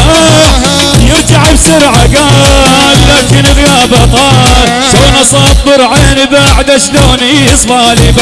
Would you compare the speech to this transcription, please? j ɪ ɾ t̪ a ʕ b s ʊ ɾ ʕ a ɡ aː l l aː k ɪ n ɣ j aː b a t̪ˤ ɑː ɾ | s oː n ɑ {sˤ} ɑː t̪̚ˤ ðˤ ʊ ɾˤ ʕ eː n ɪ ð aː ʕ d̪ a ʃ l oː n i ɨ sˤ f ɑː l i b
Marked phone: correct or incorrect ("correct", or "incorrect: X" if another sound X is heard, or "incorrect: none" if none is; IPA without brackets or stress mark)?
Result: correct